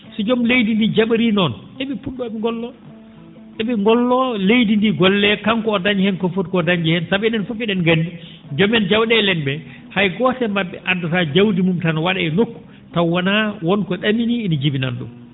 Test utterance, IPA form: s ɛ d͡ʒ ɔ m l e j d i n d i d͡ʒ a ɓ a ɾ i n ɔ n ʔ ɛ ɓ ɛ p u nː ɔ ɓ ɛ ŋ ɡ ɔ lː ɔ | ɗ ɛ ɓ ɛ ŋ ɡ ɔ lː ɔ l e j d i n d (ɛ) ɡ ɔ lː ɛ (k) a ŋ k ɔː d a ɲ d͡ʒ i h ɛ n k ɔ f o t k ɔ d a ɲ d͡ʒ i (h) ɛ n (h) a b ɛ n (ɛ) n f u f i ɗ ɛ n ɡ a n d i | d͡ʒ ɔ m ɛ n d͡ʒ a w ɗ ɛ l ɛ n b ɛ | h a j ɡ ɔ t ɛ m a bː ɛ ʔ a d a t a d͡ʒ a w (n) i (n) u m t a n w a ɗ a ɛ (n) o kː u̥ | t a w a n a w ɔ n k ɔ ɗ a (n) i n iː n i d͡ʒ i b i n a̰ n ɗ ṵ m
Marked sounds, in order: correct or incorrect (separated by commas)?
incorrect, correct, correct, incorrect, correct, incorrect, incorrect, correct, incorrect